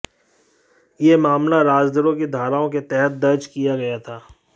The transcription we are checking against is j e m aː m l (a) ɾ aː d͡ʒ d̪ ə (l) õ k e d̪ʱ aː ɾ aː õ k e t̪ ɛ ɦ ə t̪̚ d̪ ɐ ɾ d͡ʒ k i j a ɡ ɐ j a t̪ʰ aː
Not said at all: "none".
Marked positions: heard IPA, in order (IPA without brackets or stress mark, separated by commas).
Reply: a, ɾ